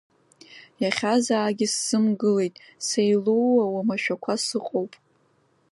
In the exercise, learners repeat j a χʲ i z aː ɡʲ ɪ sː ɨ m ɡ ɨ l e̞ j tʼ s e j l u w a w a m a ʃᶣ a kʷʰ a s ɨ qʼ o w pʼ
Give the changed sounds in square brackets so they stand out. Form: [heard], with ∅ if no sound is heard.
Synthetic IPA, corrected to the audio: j a χʲ [a] z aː ɡʲ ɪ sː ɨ m ɡ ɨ l e̞ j tʼ s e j l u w a w a m a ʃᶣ a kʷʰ a s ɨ qʼ o w pʼ